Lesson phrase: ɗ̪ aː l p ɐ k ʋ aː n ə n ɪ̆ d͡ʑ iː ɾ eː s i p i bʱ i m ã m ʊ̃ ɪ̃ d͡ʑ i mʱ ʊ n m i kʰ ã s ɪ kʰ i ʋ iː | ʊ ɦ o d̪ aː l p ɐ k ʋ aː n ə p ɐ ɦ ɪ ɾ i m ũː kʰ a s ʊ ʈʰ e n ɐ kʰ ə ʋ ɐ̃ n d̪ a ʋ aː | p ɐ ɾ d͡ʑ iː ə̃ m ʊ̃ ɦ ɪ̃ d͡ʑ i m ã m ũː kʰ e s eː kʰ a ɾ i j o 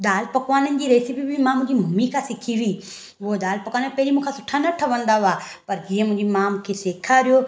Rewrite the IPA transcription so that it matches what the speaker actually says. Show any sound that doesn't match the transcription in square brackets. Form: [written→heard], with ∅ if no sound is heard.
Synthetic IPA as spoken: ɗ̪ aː l p ɐ k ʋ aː n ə n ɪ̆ d͡ʑ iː ɾ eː s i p i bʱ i m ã m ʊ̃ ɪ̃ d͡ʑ i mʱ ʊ [n→∅] m i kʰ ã s ɪ kʰ i ʋ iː | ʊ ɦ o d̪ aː l p ɐ k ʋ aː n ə p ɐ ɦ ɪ ɾ i m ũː kʰ a s ʊ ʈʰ [e→a] n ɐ [kʰ→ʈʰ] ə ʋ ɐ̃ n d̪ a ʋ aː | p ɐ ɾ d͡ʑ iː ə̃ m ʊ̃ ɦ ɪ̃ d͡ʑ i m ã m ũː kʰ e s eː kʰ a ɾ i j o